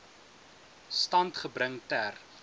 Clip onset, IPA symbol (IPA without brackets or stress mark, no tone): s